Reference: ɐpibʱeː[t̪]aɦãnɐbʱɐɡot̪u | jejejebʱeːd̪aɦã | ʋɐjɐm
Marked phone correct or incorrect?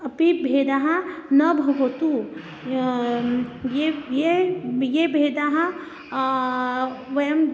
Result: incorrect